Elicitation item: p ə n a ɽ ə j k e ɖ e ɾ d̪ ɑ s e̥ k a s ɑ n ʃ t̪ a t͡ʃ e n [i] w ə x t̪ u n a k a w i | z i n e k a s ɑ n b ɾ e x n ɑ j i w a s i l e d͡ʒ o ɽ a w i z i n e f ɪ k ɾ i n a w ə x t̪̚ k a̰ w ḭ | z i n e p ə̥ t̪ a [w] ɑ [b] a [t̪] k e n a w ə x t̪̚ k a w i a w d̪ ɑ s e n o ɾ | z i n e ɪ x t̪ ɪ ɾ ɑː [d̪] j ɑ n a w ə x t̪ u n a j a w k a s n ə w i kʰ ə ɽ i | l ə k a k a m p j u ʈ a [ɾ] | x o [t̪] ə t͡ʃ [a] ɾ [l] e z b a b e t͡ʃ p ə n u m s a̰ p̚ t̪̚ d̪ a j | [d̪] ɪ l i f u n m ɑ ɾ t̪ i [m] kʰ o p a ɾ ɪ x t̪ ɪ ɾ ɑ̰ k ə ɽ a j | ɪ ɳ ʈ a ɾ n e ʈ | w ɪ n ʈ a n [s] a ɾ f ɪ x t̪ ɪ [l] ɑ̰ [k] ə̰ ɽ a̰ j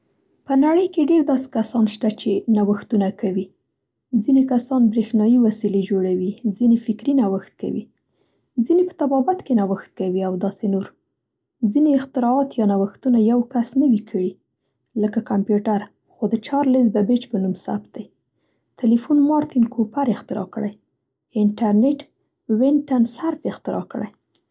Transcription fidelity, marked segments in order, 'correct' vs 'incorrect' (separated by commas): incorrect, incorrect, correct, correct, incorrect, correct, incorrect, incorrect, correct, incorrect, incorrect, correct, incorrect, correct